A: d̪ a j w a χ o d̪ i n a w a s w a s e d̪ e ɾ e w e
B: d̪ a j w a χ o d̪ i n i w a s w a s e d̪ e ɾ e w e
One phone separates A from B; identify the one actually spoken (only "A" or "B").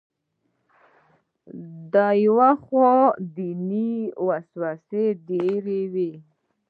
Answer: B